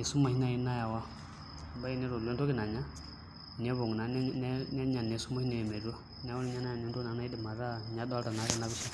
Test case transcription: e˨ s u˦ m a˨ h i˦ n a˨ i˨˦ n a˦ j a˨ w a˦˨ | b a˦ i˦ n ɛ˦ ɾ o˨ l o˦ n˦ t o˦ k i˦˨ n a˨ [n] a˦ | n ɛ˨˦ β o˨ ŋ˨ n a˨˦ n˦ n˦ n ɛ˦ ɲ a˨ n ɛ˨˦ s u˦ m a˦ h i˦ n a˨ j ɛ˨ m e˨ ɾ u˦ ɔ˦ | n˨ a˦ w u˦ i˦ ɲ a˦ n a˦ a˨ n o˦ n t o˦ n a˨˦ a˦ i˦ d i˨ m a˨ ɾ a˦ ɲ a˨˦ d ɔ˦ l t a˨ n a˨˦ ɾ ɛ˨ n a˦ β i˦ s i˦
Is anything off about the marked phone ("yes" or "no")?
yes